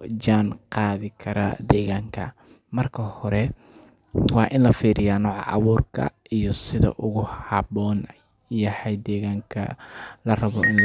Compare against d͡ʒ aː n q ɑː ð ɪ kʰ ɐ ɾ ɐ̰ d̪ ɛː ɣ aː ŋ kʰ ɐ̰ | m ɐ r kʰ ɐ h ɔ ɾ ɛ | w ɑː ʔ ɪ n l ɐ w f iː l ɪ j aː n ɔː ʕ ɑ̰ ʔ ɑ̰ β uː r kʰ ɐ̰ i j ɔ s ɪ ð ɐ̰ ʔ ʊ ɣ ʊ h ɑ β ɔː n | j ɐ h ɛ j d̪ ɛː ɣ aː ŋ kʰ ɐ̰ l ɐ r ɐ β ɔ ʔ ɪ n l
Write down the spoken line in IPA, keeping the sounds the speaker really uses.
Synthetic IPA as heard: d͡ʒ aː n q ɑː ð ɪ kʰ ɐ ɾ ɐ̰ d̪ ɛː ɣ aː ŋ kʰ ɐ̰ | m ɐ r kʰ ɐ h ɔ ɾ ɛ | w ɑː ʔ ɪ n l ɐ f iː ɾ ɪ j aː n ɔː ʕ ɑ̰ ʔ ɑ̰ β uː r kʰ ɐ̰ i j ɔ s ɪ ð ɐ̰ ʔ ʊ ɣ ʊ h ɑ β ɔː n | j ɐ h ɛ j d̪ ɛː ɣ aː ŋ kʰ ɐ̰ l ɐ r ɐ β ɔ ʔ ɪ n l